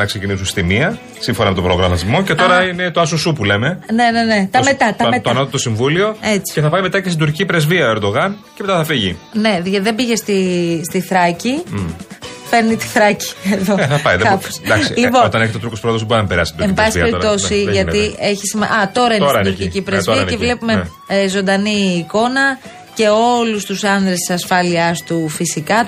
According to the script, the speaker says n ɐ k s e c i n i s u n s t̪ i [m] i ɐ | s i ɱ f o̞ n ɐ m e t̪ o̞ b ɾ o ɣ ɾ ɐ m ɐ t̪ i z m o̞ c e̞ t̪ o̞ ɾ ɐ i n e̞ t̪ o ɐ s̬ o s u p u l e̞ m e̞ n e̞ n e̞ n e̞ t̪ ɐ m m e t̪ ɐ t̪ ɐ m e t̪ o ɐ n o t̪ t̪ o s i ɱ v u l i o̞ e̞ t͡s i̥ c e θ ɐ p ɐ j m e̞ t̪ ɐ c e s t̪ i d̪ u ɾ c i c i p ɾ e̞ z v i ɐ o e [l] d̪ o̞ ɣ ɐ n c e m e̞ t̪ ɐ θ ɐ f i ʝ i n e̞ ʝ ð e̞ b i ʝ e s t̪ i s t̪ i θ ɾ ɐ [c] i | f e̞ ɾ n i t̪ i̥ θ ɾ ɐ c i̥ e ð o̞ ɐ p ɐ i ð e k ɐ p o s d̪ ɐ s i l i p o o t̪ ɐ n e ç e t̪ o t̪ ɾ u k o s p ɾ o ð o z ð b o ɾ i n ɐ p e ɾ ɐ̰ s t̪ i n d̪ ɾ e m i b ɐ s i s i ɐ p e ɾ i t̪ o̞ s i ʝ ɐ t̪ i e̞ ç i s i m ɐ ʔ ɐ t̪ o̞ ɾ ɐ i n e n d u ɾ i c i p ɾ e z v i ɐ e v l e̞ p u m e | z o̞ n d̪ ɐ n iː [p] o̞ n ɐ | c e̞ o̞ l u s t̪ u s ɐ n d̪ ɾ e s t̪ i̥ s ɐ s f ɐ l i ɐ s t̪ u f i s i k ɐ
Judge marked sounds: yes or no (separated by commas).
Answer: yes, no, yes, no